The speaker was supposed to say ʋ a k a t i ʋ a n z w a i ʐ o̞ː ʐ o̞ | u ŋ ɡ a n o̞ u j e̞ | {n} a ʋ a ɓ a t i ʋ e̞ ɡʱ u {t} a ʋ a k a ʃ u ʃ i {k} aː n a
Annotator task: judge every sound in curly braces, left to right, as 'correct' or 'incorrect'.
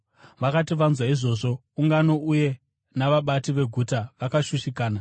correct, correct, correct

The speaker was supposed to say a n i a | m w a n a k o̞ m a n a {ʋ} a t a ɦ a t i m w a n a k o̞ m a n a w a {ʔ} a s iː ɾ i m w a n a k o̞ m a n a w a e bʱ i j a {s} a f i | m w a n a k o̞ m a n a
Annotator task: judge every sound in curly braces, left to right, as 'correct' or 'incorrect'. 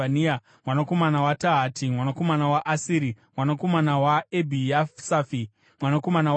incorrect, correct, correct

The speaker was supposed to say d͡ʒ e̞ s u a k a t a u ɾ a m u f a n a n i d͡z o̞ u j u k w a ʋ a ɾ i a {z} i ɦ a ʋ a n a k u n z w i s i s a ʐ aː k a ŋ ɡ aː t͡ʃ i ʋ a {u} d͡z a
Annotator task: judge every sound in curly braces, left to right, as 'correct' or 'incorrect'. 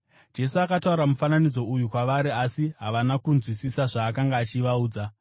incorrect, incorrect

